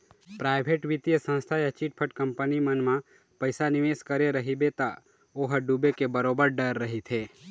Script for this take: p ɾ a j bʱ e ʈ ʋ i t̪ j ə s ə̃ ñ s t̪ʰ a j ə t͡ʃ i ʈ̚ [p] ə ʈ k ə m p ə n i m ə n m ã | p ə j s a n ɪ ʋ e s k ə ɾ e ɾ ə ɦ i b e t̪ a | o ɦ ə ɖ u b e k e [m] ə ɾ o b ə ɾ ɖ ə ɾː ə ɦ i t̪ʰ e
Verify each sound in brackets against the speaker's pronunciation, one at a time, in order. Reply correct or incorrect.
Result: incorrect: pʰ, incorrect: b

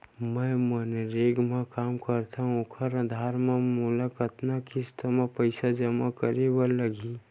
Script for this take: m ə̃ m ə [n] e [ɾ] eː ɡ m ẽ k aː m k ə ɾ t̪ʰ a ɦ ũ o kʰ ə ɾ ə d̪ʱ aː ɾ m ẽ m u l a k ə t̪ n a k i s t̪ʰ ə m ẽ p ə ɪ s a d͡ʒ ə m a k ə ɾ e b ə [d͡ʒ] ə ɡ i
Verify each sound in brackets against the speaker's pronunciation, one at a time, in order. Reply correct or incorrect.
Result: correct, correct, incorrect: none

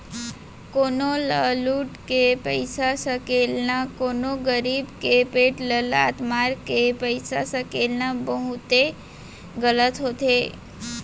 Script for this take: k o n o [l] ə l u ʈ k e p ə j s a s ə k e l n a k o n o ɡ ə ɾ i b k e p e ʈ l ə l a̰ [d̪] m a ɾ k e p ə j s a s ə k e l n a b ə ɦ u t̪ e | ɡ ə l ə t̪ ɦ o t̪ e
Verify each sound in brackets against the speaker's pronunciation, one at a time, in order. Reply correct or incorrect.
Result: correct, incorrect: t̪

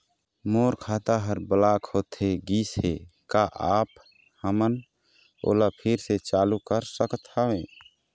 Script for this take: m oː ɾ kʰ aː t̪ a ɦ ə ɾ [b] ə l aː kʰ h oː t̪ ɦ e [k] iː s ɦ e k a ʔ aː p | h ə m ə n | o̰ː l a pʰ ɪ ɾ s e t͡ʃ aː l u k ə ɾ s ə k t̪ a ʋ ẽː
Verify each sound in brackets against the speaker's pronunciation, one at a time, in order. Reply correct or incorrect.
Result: correct, incorrect: ɡ

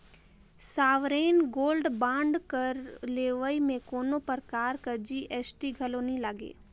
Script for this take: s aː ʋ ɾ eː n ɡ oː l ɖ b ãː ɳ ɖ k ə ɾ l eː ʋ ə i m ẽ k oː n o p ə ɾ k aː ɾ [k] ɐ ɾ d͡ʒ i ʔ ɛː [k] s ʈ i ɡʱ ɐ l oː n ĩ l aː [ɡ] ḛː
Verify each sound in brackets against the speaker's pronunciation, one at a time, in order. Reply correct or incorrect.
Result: correct, incorrect: none, correct

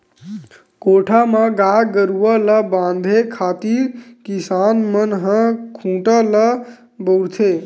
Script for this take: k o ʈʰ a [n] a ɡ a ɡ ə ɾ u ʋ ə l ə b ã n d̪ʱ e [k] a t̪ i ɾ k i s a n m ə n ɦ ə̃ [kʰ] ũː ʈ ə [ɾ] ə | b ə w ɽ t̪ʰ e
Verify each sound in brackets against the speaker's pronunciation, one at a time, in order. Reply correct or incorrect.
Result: incorrect: m, incorrect: kʰ, correct, incorrect: l

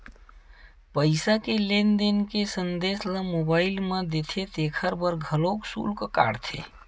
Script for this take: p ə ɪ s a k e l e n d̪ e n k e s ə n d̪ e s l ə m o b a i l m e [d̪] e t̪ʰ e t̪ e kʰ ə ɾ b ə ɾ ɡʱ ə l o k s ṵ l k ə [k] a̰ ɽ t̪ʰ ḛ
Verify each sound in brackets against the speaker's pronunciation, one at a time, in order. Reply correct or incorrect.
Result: correct, correct

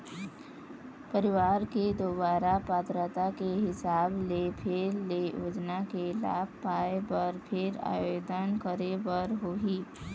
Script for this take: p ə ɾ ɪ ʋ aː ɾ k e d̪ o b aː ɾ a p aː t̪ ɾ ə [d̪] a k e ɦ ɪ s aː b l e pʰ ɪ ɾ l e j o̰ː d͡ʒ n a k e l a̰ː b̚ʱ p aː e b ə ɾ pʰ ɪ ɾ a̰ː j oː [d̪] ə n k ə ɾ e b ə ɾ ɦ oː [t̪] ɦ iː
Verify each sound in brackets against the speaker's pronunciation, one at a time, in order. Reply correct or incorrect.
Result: incorrect: t̪, correct, incorrect: none

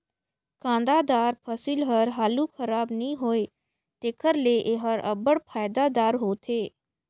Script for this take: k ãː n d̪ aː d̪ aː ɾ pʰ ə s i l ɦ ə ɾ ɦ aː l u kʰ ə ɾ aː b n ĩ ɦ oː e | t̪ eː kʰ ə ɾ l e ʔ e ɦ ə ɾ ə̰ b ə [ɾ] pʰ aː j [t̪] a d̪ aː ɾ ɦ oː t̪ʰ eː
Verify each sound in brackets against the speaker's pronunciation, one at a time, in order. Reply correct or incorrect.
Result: incorrect: ɽ, incorrect: d̪

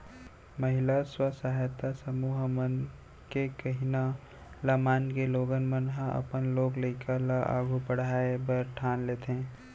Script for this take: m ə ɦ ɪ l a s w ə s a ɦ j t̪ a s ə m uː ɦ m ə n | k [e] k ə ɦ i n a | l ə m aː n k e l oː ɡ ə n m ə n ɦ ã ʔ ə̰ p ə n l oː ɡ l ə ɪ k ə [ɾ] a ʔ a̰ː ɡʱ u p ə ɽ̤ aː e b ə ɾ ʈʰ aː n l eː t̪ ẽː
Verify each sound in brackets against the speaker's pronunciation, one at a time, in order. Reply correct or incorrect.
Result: correct, incorrect: l

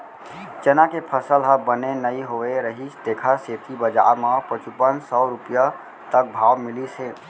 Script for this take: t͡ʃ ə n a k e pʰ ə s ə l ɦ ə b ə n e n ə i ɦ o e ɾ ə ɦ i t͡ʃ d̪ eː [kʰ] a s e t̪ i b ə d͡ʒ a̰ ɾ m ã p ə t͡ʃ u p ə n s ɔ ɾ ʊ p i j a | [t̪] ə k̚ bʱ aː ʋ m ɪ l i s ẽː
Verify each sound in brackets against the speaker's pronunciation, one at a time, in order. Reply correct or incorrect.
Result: correct, correct

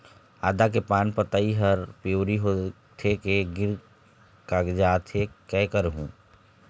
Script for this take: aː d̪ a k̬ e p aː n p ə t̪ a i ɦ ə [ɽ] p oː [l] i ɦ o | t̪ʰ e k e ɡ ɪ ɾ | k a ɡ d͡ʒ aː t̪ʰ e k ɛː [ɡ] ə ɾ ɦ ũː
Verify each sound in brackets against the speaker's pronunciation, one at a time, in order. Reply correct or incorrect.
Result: incorrect: ɾ, incorrect: ɾ, incorrect: k

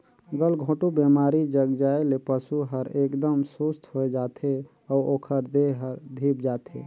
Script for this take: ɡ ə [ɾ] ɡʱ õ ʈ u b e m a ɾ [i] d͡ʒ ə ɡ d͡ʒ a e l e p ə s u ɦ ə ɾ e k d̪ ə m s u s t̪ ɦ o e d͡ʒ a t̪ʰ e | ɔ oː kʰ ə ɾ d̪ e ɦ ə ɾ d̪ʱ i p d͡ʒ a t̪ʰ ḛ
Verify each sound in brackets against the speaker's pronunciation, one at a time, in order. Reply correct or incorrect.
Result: incorrect: l, correct

